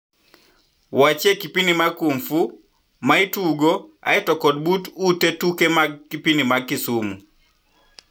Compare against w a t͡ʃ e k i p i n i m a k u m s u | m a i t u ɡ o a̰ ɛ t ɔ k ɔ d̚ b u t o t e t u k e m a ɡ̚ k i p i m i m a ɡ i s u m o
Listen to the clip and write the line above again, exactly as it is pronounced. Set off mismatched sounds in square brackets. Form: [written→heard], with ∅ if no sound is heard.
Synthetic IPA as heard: w a t͡ʃ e k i p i n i m a k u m [s→f] u | m a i t u ɡ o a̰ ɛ t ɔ k ɔ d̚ b u t [o→u] t e t u k e m a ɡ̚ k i p i [m→n] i m a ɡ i s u m [o→u]